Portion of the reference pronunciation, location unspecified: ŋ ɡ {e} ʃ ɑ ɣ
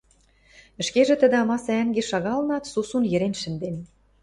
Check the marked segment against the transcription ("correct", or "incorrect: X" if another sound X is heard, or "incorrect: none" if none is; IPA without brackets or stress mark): correct